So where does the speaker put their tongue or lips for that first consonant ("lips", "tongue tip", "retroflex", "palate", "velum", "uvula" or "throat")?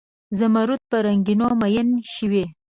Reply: tongue tip